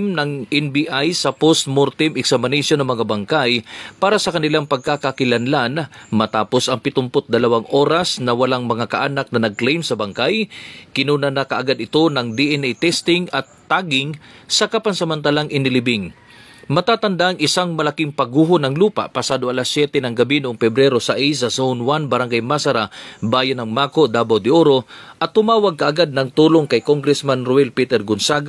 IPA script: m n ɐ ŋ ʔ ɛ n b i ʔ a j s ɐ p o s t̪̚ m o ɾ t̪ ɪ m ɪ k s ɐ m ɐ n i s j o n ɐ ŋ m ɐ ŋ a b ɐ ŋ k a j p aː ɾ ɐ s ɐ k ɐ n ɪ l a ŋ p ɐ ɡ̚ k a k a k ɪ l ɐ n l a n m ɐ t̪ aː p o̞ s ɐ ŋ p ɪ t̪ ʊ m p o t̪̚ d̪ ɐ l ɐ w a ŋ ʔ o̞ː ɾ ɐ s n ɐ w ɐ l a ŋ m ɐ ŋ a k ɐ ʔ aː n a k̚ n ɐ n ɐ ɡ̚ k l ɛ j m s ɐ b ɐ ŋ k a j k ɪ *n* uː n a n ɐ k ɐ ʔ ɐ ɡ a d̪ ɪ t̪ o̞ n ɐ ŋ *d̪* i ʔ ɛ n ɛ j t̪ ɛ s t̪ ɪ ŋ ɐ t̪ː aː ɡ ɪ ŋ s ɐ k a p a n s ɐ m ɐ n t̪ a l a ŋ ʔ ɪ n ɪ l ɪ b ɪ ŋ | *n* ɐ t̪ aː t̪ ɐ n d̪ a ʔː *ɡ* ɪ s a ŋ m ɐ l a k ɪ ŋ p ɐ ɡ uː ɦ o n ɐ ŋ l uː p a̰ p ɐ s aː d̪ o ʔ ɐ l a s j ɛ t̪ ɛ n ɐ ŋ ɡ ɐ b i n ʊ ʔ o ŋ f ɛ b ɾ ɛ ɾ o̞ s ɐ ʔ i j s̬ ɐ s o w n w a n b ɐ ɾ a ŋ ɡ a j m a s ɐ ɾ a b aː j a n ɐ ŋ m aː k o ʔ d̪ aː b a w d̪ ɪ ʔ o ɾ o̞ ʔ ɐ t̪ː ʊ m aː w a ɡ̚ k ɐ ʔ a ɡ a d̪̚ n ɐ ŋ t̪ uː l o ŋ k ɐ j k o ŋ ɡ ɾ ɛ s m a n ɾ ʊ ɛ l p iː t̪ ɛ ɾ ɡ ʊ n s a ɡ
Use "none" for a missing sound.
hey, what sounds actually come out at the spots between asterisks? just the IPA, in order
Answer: n, d̪, m, ŋ

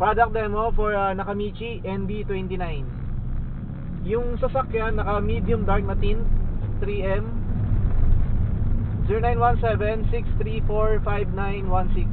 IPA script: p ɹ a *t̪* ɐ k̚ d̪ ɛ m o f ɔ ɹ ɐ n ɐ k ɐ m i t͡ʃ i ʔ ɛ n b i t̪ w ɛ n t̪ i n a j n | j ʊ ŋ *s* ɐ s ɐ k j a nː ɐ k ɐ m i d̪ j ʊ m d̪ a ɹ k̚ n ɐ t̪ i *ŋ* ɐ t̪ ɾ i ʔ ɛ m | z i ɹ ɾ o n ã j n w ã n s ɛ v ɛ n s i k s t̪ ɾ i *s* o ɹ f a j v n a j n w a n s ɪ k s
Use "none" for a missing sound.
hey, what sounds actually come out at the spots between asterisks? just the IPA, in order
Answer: d̪, s, n, f

